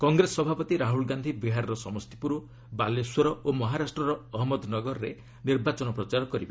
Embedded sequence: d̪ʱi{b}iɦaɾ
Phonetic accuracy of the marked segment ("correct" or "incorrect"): correct